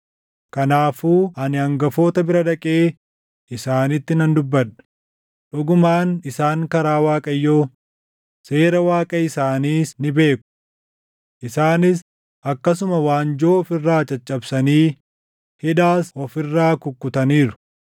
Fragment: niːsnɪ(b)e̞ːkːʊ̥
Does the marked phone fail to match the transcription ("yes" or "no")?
no